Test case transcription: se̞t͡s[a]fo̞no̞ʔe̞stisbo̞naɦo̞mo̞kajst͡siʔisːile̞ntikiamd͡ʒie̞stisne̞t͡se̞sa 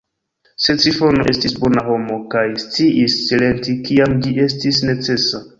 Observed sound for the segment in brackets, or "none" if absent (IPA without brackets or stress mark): i